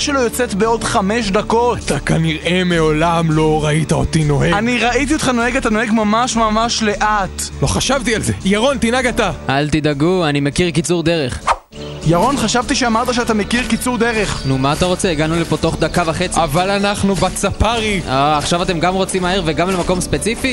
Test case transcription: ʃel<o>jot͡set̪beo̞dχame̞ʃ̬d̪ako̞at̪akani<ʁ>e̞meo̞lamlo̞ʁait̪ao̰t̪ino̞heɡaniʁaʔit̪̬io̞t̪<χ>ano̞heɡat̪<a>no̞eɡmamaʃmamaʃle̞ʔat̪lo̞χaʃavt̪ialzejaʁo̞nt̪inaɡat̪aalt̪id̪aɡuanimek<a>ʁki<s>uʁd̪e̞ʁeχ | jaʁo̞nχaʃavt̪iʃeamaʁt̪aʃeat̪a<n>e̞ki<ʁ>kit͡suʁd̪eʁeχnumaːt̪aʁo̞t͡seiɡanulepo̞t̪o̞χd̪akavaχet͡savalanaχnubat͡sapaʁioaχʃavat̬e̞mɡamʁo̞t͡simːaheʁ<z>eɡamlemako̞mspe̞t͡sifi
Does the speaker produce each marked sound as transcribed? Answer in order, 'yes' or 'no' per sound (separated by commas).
yes, yes, yes, yes, no, no, no, yes, no